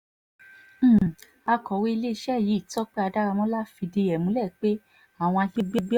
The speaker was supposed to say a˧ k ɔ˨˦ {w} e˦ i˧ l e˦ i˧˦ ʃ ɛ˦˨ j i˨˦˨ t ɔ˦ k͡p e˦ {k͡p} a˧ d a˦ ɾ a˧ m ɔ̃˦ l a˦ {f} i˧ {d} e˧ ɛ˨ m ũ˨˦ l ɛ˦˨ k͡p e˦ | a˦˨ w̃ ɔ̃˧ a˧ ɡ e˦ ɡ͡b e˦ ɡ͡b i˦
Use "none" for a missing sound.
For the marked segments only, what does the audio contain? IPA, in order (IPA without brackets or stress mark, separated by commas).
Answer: w, none, f, d